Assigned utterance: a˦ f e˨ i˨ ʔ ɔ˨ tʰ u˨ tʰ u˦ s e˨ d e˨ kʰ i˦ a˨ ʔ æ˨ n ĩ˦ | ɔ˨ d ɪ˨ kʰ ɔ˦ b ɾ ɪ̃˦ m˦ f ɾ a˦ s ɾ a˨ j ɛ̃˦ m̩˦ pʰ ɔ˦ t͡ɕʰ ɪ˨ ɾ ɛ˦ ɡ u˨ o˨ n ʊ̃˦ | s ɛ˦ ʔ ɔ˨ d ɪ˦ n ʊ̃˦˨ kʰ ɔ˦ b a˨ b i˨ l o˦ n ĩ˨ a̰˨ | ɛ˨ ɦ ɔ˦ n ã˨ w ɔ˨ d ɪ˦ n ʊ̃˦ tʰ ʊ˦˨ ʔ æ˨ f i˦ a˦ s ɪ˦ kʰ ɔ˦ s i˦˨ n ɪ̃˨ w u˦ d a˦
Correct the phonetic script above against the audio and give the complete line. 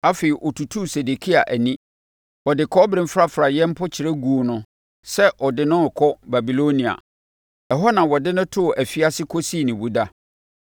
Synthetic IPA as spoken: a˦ f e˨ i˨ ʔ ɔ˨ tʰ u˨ tʰ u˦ s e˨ d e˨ kʰ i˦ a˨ ʔ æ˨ n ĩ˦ | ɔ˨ d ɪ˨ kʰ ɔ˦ b ɾ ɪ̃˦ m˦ f ɾ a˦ f ɾ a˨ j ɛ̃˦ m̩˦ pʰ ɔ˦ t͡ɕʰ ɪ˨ ɾ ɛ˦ ɡ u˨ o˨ n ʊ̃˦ | s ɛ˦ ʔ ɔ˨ d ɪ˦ n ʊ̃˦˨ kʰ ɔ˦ b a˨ b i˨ l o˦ n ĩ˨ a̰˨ | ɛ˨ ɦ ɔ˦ n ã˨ w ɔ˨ d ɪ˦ n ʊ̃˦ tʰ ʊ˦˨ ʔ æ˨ f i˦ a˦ s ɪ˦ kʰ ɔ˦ s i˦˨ n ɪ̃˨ w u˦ d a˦